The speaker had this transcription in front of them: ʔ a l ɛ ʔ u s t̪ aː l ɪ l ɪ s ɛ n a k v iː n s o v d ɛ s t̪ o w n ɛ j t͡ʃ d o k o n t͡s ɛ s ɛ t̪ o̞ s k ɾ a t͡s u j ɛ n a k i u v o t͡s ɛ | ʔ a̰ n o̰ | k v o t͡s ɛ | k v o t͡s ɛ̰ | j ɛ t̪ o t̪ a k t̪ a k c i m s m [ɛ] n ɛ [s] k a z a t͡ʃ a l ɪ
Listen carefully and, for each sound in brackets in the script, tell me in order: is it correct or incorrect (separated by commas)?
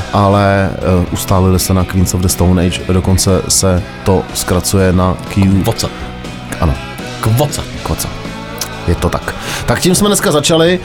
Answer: correct, correct